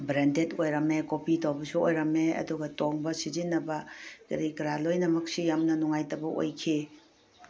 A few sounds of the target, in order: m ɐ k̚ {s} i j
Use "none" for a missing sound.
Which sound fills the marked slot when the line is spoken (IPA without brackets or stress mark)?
s